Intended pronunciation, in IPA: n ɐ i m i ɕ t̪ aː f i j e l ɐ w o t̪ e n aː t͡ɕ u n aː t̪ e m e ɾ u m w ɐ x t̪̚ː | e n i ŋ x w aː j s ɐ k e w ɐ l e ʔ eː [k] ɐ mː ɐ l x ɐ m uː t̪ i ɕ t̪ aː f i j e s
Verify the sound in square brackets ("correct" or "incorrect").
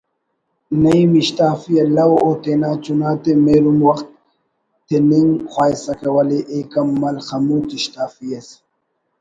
correct